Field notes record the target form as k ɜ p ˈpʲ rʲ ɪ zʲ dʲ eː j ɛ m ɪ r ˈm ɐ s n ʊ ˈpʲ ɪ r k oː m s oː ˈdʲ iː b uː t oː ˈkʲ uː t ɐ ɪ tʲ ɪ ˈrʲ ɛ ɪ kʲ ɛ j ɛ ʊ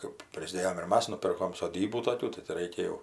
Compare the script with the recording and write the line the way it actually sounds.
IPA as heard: k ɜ p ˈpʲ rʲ ɪ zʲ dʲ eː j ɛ m ɪ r ˈm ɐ s n ʊ ˈpʲ ɪ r k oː m s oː ˈdʲ iː b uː t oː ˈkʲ uː t ɐ ɪ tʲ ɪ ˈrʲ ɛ ɪ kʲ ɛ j ɛ ʊ